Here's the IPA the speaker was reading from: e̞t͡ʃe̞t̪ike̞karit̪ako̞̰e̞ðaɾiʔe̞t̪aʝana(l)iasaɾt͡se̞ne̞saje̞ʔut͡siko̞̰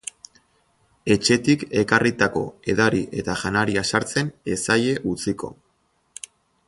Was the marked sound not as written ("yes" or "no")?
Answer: yes